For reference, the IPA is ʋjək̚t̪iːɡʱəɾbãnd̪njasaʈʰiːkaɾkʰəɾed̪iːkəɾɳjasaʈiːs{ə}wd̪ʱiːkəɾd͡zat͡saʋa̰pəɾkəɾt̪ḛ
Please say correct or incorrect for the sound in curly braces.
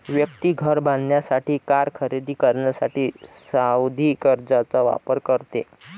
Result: incorrect